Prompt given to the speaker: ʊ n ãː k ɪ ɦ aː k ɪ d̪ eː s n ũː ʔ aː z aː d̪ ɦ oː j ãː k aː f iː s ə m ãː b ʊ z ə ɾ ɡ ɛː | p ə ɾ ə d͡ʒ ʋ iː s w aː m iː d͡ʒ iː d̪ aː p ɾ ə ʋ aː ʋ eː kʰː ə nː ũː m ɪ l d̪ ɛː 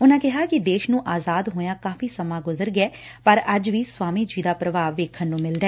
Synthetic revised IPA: ʊ n ãː k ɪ ɦ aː k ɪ d̪ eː ʃ n ũː ʔ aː z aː d̪ ɦ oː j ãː k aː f iː s ə m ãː ɡ ʊ z ə ɾ ɡ ɛː | p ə ɾ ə d͡ʒ ʋ iː s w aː m iː d͡ʒ iː d̪ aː p ɾ ə ʋ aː ʋ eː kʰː ə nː ũː m ɪ l d̪ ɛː